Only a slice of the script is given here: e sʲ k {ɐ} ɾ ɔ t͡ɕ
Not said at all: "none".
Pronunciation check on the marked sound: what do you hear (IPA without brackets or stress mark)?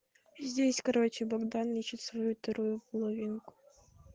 ɐ